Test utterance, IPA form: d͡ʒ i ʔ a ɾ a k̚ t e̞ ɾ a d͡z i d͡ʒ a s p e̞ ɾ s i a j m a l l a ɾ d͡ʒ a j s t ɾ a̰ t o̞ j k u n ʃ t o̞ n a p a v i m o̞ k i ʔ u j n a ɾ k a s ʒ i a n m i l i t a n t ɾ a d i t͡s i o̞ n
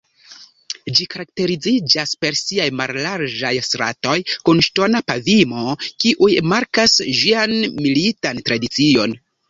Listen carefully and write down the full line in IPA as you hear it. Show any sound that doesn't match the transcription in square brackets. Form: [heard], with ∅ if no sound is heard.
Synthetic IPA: d͡ʒ i [k] a ɾ a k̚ t e̞ ɾ [i] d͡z i d͡ʒ a s p e̞ ɾ s i a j m a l l a ɾ d͡ʒ a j s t ɾ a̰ t o̞ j k u n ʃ t o̞ n a p a v i m o̞ k i ʔ u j [m] a ɾ k a s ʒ i a n m i l i t a n t ɾ a d i t͡s i o̞ n